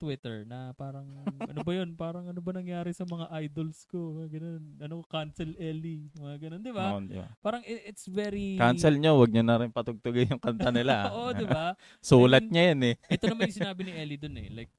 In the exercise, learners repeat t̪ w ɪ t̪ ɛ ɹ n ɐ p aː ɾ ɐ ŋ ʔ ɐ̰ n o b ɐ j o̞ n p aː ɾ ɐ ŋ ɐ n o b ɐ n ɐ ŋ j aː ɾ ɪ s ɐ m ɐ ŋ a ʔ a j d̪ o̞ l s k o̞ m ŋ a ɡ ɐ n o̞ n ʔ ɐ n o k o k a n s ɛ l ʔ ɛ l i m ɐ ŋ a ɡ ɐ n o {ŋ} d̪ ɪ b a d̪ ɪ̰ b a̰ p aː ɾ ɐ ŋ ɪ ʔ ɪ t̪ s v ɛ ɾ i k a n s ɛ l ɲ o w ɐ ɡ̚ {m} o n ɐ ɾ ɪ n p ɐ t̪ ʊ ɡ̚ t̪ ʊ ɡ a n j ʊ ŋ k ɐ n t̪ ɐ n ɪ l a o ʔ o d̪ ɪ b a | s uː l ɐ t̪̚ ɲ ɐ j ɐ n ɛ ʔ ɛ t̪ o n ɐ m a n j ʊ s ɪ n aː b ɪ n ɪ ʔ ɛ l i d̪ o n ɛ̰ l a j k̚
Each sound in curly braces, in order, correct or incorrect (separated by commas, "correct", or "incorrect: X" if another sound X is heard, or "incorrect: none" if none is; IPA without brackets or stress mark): incorrect: n, incorrect: ɲ